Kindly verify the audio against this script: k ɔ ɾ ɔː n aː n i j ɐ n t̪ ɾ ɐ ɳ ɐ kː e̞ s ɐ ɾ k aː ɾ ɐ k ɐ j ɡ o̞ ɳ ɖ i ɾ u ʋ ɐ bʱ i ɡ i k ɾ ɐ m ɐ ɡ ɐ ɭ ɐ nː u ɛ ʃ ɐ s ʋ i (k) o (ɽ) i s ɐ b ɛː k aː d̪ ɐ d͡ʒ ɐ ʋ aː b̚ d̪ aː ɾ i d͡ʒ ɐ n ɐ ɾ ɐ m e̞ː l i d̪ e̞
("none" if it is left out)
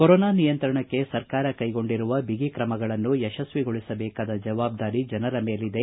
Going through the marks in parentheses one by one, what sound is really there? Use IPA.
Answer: ɡ, ɭ

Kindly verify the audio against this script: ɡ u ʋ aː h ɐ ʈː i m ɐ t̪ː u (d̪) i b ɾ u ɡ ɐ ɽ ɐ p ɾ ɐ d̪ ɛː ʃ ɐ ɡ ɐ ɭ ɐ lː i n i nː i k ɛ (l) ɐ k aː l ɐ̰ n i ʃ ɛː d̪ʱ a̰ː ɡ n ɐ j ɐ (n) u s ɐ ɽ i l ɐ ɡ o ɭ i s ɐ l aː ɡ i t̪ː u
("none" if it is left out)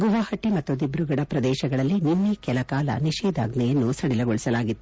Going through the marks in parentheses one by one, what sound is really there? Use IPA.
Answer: d̪, l, nː

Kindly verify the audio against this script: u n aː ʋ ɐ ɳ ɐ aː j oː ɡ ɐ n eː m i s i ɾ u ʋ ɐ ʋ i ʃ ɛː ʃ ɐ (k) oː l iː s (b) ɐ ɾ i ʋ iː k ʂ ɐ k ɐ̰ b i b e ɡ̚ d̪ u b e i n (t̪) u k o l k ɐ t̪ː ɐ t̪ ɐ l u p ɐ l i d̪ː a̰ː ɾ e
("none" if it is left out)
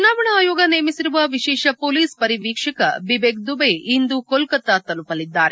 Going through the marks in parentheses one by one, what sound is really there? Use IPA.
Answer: p, p, d̪

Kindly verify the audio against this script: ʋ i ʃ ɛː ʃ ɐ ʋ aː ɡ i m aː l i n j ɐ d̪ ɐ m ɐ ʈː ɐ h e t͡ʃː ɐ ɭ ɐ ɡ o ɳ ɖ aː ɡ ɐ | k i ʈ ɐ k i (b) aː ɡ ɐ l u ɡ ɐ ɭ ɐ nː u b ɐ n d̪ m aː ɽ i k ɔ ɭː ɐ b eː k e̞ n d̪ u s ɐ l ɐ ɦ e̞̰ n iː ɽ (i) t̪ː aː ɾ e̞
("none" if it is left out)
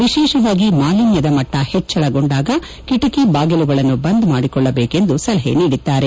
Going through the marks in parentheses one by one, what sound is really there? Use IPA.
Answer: b, i

